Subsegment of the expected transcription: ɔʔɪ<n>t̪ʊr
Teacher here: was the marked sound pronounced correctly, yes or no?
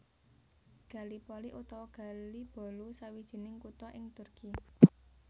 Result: no